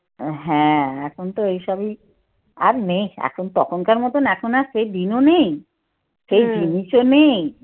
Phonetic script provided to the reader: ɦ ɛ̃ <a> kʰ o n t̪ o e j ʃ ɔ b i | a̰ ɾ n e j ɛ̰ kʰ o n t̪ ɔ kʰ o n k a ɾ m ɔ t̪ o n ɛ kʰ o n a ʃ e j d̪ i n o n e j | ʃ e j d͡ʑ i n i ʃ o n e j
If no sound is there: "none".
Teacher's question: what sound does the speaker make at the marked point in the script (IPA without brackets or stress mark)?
ɛ